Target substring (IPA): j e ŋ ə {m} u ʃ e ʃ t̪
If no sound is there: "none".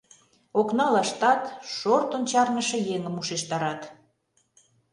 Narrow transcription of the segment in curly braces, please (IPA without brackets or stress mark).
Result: m